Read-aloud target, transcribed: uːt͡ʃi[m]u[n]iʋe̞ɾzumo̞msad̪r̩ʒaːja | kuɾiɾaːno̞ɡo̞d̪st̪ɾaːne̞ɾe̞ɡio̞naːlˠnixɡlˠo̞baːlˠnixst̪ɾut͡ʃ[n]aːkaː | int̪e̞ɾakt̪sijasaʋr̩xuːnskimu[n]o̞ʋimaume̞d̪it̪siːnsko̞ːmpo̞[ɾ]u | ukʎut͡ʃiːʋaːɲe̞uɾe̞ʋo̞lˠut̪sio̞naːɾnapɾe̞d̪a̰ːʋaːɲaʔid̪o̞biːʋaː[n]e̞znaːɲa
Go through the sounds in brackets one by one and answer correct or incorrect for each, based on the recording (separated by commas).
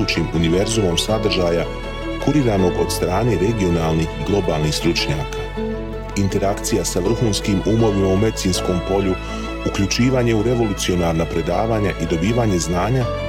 correct, correct, incorrect, incorrect, incorrect, incorrect